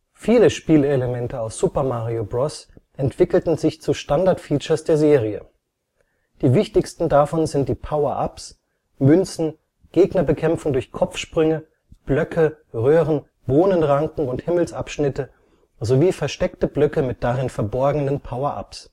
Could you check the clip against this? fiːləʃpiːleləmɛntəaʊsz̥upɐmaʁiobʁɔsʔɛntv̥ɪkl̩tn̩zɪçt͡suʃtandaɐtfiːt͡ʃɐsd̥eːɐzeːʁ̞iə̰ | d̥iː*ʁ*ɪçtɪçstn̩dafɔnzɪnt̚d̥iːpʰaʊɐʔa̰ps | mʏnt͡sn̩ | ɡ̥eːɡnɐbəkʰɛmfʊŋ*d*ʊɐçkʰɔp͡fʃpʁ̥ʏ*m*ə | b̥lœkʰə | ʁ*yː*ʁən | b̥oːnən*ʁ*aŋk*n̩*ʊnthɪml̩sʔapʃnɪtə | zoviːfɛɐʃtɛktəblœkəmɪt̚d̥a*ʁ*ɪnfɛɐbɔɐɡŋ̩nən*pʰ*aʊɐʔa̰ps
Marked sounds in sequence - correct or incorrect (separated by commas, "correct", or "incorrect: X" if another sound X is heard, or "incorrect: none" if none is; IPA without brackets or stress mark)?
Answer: incorrect: v, correct, incorrect: ŋ, incorrect: øː, correct, incorrect: ŋ̩, correct, correct